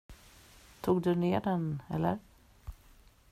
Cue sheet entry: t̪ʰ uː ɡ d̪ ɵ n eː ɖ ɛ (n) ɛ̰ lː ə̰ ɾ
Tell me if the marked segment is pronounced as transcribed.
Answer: yes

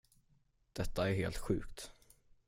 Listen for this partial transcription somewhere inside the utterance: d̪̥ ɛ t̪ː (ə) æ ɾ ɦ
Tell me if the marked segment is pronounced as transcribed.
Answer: no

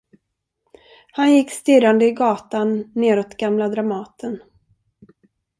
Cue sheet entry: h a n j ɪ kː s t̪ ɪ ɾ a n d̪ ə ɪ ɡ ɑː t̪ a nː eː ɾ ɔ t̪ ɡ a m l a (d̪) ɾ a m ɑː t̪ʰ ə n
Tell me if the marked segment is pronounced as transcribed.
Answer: yes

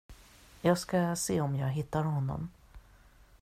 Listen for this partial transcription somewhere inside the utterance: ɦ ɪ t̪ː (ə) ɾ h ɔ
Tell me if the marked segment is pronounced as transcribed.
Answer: no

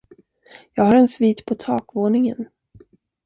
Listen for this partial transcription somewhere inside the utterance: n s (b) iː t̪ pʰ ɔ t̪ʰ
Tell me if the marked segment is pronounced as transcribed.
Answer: no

